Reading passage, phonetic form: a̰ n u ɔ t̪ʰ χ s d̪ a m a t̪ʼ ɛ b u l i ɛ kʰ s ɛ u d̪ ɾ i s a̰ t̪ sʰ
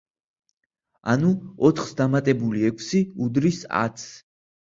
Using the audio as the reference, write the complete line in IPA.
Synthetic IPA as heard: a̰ n u ɔ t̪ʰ χ s d̪ a m a t̪ʼ ɛ b u l i ɛ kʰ s i u d̪ ɾ i s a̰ t̪ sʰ